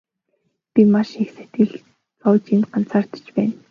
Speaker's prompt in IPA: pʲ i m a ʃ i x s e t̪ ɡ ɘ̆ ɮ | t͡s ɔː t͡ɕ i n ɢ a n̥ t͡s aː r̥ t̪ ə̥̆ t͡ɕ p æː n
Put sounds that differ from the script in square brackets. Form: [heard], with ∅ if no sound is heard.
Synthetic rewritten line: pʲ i m a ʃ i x s e t̪ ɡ ɘ̆ ɮ | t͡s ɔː t͡ɕ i n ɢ a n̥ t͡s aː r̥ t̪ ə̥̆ t͡ɕ p æː n